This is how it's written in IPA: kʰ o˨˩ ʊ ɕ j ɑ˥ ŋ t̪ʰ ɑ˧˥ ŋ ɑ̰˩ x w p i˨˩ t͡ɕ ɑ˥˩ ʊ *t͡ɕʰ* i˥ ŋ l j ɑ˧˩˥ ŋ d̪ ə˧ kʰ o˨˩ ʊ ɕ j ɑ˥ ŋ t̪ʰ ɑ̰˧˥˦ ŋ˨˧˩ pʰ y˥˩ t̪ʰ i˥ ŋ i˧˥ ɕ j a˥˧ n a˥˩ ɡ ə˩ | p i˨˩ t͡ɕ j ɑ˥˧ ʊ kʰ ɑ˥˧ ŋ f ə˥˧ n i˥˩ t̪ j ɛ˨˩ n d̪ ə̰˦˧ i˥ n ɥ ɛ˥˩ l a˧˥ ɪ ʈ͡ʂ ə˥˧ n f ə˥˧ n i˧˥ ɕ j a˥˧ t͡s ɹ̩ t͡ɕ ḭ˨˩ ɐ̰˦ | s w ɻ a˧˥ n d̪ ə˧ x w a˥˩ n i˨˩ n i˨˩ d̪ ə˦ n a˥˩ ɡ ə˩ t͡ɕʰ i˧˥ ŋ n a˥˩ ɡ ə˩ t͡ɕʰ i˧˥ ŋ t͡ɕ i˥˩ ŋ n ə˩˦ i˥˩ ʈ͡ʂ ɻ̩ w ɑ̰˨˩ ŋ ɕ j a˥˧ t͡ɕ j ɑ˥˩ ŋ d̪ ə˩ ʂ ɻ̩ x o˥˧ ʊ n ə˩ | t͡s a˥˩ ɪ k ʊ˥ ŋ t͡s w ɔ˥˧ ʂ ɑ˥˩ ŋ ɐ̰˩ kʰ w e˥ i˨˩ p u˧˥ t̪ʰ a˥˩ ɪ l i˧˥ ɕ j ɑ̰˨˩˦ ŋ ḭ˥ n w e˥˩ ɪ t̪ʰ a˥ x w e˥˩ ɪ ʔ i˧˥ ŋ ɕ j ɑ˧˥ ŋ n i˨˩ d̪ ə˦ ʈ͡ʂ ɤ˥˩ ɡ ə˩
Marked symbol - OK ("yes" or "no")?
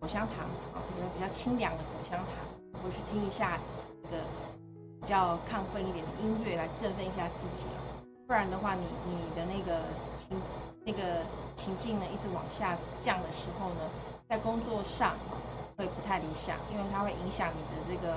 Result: yes